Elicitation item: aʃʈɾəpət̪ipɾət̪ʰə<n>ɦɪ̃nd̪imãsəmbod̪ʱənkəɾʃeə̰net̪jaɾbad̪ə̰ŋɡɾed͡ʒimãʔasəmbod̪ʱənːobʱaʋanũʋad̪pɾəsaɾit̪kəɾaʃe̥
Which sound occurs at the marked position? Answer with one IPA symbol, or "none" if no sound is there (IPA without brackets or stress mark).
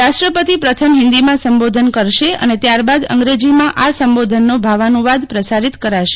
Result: m